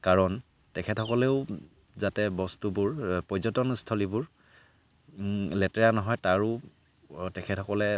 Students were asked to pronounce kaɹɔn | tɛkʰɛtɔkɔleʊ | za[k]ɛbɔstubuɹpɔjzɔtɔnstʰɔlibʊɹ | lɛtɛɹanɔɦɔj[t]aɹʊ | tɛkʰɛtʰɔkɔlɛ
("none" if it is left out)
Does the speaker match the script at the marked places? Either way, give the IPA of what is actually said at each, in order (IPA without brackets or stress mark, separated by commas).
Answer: t, t